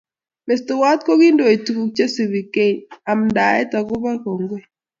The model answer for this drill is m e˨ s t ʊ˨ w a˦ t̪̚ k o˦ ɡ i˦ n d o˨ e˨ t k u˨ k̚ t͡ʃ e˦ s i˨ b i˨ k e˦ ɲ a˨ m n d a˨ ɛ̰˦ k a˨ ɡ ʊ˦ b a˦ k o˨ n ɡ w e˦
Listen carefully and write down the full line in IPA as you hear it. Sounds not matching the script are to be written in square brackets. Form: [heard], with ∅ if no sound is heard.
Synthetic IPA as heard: m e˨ s t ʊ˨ w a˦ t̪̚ k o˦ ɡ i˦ n d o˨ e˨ t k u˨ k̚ t͡ʃ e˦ s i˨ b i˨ k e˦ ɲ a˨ m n d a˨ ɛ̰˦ [t] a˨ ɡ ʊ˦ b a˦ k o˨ [ŋ] ɡ w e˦